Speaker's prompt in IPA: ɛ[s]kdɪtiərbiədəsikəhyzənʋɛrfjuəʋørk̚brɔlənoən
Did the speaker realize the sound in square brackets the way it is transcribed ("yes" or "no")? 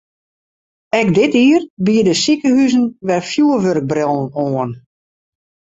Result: no